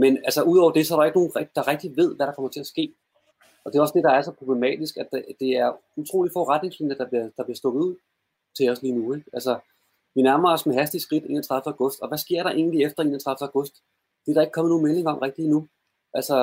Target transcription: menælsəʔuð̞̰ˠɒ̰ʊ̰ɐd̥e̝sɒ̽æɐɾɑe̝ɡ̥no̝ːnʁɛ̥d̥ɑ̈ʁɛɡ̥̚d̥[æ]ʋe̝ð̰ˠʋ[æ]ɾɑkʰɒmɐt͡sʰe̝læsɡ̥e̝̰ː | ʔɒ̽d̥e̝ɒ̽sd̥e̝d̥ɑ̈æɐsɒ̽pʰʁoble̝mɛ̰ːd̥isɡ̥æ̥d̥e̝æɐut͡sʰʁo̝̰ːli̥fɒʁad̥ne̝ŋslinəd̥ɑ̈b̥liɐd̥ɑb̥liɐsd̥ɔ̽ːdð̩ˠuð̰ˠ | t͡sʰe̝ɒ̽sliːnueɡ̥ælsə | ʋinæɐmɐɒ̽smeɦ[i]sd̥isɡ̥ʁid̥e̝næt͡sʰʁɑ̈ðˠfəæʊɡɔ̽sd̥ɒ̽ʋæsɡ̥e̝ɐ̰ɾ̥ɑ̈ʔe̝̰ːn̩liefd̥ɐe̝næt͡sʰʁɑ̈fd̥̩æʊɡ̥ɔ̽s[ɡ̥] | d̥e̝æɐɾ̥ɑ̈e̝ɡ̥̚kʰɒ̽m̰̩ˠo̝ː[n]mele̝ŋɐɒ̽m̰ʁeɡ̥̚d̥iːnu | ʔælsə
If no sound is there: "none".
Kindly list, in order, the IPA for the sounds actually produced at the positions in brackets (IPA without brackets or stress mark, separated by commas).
i, æ, æ, d̥, n